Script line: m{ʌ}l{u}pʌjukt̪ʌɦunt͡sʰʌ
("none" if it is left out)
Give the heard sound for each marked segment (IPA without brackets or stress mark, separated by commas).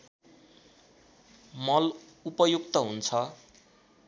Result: ʌ, u